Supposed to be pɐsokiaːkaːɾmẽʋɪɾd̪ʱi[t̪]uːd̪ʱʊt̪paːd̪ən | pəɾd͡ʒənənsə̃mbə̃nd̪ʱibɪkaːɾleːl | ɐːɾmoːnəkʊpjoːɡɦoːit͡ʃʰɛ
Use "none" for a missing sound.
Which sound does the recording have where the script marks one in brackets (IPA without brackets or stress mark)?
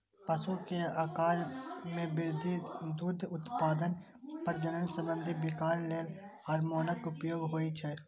d̪